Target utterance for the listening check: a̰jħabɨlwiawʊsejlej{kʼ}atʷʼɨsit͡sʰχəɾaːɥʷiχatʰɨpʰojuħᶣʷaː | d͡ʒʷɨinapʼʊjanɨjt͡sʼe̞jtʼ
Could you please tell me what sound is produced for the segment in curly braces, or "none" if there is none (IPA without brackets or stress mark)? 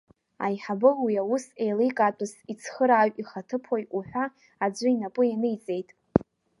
kʼ